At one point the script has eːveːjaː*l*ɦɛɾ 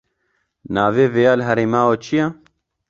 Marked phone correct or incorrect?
correct